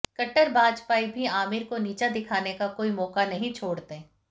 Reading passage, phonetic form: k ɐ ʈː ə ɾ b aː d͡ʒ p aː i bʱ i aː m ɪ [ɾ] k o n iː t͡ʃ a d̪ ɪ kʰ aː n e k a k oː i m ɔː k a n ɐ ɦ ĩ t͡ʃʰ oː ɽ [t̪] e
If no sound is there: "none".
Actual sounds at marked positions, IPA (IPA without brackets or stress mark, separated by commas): ɾ, t̪